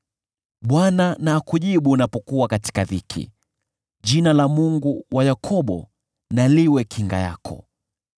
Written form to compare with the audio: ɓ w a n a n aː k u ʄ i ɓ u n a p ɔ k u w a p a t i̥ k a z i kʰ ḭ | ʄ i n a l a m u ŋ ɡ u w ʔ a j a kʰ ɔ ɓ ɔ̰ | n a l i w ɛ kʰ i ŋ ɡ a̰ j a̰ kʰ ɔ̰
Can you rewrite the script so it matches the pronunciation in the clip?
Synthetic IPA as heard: ɓ w a n a n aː k u ʄ i ɓ u n a p ɔ k u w a k a t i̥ k a ð i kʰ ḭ | ʄ i n a l a m u ŋ ɡ u w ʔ a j a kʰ ɔ ɓ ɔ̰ | n a l i w ɛ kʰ i ŋ ɡ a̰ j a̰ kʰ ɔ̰